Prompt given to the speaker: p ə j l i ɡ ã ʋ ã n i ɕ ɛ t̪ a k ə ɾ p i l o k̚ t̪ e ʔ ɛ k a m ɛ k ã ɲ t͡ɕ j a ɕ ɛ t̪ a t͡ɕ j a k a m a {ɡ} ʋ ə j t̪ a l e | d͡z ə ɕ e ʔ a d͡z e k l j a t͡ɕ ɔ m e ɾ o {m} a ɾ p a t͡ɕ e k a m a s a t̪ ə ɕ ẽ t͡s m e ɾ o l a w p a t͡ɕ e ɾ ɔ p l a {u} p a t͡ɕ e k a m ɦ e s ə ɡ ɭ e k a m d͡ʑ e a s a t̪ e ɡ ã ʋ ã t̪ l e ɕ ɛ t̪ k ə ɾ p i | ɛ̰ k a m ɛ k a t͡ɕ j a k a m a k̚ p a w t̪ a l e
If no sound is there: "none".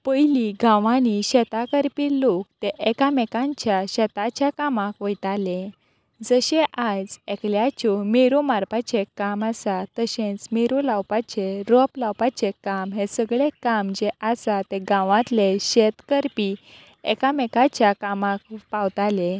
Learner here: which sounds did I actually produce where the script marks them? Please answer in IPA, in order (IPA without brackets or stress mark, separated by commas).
k, m, w